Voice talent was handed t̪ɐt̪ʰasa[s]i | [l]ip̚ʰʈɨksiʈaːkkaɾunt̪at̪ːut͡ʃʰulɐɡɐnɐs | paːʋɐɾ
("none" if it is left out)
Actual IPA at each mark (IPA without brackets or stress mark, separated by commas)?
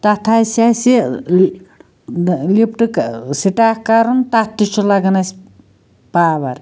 s, l